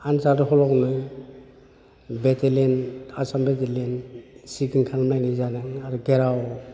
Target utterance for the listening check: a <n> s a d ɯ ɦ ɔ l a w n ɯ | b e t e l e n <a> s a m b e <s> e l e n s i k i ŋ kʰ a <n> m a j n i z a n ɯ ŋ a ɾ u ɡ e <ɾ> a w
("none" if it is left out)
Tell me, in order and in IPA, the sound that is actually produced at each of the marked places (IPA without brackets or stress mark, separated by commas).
n, a, t, ŋ, ɾ